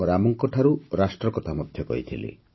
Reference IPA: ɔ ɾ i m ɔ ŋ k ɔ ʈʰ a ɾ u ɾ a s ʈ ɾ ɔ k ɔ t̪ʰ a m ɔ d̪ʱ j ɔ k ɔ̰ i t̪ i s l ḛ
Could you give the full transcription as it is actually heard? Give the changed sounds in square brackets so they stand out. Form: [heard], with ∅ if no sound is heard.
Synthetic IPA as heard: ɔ ɾ [a] m ɔ ŋ k ɔ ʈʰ a ɾ u ɾ a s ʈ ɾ ɔ k ɔ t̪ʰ a m ɔ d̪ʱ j ɔ k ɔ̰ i [t̪ʰ] i [∅] l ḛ